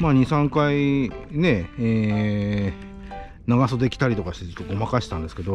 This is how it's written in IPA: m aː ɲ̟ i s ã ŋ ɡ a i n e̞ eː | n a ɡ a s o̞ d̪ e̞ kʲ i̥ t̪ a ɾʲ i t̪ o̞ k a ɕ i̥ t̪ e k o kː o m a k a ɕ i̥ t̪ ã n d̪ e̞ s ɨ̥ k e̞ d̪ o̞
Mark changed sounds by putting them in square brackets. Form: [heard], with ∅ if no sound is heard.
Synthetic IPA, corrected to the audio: m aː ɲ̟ i s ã ŋ [k] a i n e̞ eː | n a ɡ a s o̞ d̪ e̞ kʲ i̥ t̪ a ɾʲ i t̪ o̞ k a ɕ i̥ t̪ e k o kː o m a k a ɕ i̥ t̪ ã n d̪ e̞ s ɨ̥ k e̞ d̪ o̞